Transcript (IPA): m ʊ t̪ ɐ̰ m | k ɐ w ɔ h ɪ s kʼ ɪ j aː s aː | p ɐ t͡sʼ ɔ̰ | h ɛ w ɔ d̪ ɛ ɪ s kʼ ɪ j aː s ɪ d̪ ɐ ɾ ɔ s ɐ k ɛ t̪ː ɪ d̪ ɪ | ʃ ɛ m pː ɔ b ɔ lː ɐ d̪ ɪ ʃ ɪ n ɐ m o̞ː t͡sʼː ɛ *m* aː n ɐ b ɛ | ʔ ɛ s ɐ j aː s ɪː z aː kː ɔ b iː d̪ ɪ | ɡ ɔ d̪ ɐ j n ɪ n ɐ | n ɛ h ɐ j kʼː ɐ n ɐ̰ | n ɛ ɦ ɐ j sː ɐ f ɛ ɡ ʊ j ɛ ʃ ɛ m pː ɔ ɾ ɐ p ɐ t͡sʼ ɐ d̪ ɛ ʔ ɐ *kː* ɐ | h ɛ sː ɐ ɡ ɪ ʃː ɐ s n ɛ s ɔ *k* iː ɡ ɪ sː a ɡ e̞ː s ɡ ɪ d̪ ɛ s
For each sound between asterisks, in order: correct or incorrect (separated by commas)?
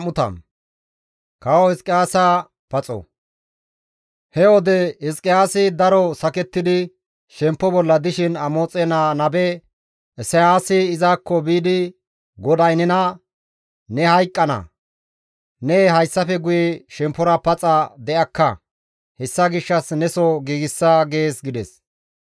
incorrect, correct, incorrect